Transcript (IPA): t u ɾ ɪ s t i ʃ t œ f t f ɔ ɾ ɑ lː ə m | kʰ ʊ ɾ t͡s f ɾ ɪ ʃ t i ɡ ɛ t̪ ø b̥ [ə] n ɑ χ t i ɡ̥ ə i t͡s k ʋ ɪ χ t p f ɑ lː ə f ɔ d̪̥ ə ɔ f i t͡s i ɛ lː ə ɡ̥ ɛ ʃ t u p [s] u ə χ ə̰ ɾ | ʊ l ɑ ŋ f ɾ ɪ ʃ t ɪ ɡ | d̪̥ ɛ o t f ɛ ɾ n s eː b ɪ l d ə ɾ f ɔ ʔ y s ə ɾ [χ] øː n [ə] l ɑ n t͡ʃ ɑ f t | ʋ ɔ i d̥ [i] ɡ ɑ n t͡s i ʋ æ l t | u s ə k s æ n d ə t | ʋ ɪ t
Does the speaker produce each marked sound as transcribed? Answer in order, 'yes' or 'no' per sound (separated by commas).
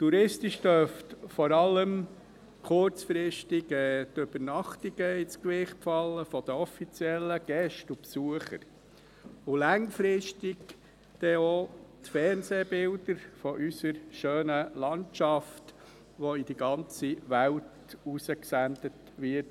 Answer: yes, yes, no, yes, yes